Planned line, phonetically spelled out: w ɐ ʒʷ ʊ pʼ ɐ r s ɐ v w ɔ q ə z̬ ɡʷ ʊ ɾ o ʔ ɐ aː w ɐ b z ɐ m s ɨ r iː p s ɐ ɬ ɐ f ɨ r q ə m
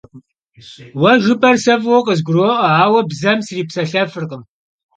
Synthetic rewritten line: w ɐ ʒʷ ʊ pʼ ɐ r s ɐ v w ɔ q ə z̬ ɡʷ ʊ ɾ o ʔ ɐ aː w ɐ b z ɐ m s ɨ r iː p s ɐ ɬ ɐ f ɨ r q ə m